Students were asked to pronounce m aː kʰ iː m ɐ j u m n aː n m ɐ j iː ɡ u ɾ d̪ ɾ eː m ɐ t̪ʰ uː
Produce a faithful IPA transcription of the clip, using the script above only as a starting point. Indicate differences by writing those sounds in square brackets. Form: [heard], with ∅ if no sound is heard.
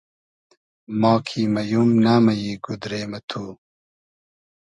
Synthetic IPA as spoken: m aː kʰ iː m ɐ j u m n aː [∅] m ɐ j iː ɡ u [∅] d̪ ɾ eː m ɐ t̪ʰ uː